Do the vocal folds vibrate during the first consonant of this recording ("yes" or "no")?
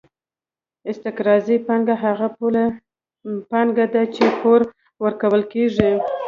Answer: no